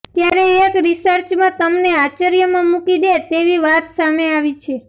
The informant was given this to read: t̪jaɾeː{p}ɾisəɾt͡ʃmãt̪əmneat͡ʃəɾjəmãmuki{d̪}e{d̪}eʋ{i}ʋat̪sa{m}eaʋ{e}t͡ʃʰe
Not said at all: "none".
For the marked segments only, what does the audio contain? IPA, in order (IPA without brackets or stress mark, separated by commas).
k, d̪, t̪, i, m, i